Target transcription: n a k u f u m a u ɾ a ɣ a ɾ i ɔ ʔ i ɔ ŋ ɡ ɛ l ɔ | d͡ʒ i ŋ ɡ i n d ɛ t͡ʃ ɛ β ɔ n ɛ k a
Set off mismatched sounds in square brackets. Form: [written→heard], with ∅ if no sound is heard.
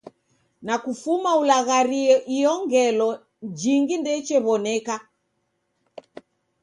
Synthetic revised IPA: n a k u f u m a u [ɾ→l] a ɣ a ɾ i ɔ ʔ i ɔ ŋ ɡ ɛ l ɔ | d͡ʒ i ŋ ɡ i n d ɛ t͡ʃ ɛ β ɔ n ɛ k a